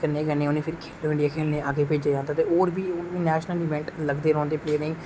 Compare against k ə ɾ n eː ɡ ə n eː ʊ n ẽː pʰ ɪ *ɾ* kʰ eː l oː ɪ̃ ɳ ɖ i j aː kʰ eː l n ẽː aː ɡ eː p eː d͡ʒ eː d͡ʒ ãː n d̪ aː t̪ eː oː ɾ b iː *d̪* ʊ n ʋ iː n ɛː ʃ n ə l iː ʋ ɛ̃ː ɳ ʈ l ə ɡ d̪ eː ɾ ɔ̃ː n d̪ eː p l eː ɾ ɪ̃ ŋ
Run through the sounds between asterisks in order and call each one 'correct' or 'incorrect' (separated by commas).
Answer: correct, incorrect